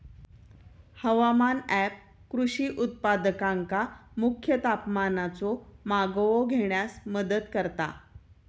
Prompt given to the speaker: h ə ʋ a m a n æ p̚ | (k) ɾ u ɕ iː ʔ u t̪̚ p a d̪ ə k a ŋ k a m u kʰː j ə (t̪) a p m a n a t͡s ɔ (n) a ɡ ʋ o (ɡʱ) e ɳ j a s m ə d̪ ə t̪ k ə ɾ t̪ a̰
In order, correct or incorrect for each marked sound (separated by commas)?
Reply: correct, correct, incorrect, correct